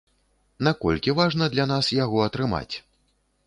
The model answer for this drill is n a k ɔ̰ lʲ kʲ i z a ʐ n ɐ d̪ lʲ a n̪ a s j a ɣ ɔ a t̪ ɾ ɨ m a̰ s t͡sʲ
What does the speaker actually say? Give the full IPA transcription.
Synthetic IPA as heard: n a k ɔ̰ lʲ kʲ i v a ʐ n ɐ d̪ lʲ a n̪ a s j a ɣ ɔ ɐ t̪ ɾ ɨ m a̰ t͡sʲ